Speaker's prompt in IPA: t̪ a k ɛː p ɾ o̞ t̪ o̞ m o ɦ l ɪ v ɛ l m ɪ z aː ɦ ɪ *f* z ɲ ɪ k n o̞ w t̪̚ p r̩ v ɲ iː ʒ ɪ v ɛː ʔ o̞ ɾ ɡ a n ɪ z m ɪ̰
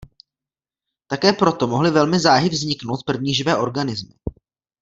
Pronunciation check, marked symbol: incorrect: v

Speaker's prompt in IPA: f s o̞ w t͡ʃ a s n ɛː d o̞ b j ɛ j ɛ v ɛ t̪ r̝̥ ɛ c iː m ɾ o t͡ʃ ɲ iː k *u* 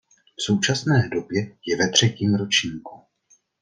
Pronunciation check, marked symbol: correct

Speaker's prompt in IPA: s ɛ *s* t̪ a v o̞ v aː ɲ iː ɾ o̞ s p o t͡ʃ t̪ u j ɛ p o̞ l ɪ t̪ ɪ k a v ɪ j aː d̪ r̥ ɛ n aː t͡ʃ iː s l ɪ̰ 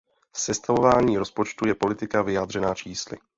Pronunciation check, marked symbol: correct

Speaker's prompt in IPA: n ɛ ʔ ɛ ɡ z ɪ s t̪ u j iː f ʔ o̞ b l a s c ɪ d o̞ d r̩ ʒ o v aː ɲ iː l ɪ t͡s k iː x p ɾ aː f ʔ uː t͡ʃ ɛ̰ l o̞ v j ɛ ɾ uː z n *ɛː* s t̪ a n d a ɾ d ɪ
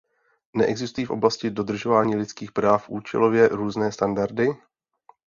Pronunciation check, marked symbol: correct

